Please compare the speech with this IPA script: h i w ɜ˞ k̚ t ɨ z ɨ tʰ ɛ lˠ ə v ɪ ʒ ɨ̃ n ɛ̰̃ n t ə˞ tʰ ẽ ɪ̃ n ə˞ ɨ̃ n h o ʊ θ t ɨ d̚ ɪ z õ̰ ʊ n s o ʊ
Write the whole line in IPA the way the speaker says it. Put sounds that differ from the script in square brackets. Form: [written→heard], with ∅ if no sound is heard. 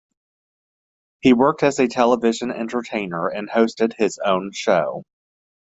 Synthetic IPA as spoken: h i w ɜ˞ k̚ t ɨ z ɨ tʰ ɛ lˠ ə v ɪ ʒ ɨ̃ n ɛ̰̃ n t ə˞ tʰ ẽ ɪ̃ n ə˞ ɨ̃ n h o ʊ [θ→s] t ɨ d̚ ɪ z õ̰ [ʊ→ʊ̃] n [s→ʃ] o ʊ